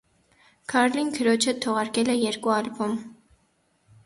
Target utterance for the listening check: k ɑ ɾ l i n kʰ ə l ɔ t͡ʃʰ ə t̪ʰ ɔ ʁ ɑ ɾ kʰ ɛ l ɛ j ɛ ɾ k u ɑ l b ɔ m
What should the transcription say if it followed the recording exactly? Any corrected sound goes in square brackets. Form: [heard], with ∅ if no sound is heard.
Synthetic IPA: [kʰ] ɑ ɾ l i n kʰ ə [ɾ] ɔ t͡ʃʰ ə t̪ʰ ɔ ʁ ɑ ɾ [k] ɛ l ɛ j ɛ ɾ k u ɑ l b ɔ m